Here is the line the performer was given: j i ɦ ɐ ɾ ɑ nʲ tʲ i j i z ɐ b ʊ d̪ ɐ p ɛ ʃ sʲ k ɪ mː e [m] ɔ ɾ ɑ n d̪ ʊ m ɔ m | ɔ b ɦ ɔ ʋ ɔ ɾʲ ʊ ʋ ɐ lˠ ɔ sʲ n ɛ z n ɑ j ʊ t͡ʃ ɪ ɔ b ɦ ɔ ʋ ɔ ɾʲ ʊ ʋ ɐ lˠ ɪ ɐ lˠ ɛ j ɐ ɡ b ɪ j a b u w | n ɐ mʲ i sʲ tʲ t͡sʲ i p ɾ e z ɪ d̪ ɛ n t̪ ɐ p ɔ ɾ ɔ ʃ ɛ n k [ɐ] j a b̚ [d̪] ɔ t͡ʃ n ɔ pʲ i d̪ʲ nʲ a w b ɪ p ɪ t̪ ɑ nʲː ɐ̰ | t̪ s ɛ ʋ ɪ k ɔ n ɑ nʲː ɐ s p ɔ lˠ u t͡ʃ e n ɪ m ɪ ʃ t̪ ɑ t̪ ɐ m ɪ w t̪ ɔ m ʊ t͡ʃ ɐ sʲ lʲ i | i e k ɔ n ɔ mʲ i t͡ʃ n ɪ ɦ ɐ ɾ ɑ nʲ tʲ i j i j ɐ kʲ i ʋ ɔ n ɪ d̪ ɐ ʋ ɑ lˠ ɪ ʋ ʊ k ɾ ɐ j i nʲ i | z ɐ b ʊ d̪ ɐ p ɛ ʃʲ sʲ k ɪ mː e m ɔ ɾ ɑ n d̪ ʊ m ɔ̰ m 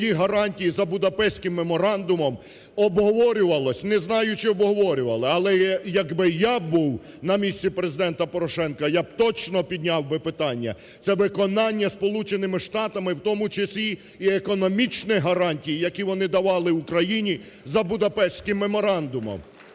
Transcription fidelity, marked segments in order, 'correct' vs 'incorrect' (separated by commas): correct, correct, incorrect